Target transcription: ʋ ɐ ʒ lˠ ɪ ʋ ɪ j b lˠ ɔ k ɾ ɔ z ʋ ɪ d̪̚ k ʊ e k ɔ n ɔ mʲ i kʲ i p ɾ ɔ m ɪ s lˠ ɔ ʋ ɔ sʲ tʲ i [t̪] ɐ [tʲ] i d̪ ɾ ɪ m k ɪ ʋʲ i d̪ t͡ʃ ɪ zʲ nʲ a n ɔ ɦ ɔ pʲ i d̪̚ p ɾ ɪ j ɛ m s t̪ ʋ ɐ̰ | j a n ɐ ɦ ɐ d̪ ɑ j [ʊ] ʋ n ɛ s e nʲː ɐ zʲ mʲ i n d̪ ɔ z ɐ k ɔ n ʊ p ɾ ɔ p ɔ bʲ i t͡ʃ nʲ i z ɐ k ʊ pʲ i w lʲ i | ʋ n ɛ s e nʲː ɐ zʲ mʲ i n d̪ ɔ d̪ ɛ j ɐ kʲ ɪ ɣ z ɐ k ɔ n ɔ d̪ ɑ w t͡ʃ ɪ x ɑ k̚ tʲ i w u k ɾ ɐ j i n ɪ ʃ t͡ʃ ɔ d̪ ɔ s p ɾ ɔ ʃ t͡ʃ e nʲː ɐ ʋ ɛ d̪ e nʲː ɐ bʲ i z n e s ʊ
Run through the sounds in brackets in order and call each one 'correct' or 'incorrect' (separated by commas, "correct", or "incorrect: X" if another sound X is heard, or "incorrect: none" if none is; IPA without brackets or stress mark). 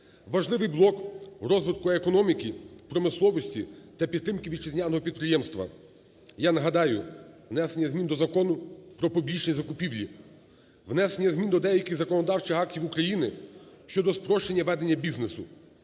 correct, incorrect: pʲ, correct